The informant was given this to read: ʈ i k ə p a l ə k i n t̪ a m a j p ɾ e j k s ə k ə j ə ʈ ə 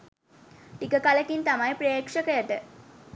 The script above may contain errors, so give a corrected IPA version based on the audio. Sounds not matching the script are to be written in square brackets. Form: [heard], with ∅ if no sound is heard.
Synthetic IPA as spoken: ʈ i k ə [k] a l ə k i n t̪ a m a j p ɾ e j k [ʂ] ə k ə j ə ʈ ə